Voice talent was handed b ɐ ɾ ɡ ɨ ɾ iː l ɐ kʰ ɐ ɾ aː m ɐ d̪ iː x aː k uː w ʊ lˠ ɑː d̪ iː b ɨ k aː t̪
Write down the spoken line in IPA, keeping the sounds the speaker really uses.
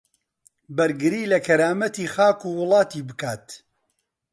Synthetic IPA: b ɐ ɾ ɡ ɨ ɾ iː l ɐ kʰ ɐ ɾ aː m ɐ t̪ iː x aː k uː w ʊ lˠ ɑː t̪ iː b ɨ k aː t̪